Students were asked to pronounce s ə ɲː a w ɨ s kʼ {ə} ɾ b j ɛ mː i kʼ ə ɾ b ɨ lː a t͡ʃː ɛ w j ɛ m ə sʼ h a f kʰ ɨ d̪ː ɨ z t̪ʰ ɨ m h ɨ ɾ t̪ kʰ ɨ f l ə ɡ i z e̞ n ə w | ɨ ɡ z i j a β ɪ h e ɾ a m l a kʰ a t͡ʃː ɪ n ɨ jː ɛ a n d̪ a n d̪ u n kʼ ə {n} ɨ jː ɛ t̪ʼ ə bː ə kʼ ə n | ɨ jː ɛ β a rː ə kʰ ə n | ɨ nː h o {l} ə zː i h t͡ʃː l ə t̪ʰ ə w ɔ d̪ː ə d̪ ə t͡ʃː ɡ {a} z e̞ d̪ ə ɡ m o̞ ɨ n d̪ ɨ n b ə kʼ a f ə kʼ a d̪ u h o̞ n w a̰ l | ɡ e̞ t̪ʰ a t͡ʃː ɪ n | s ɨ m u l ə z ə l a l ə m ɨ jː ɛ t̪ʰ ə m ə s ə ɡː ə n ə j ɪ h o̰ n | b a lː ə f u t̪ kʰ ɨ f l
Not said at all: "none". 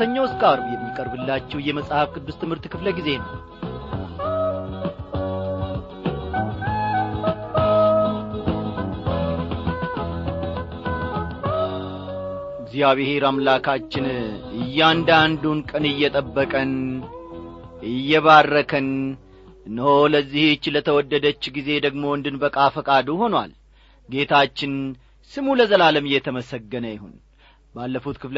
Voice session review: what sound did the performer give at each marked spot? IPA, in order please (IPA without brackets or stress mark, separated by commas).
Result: a, n, l, i